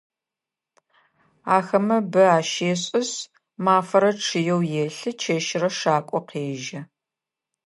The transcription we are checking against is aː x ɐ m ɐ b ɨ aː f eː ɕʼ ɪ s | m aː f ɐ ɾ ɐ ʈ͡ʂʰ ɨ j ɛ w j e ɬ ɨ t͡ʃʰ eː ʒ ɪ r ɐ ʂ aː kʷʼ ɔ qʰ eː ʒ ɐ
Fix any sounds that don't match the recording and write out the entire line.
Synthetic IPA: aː x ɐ m ɐ b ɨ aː ʃ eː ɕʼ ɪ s | m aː f ɐ ɾ ɐ ʈ͡ʂʰ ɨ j ɛ w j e ɬ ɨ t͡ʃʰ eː ʃ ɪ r ɐ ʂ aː kʷʼ ɔ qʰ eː ʒ ɐ